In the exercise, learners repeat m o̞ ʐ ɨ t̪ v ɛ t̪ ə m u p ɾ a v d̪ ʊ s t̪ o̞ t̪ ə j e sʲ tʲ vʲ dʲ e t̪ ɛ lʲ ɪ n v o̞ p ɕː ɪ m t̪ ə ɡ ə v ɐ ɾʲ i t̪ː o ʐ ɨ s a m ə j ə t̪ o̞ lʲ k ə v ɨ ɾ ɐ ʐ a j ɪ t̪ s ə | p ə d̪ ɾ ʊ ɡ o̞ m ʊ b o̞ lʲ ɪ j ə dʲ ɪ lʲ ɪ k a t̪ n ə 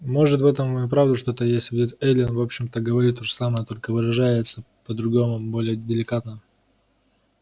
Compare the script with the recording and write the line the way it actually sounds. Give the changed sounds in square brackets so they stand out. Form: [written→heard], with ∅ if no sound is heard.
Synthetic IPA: m o̞ ʐ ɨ t̪ v ɛ t̪ ə m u p ɾ a v d̪ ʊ [s→ʂ] t̪ o̞ t̪ ə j e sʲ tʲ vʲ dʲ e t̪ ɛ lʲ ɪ n v o̞ p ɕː ɪ m t̪ ə ɡ ə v ɐ ɾʲ i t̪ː o ʐ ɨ s a m ə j ə t̪ o̞ lʲ k ə v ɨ ɾ ɐ ʐ a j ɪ t̪ s ə | p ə d̪ ɾ ʊ ɡ o̞ m ʊ b o̞ lʲ ɪ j ə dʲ ɪ lʲ ɪ k a t̪ n ə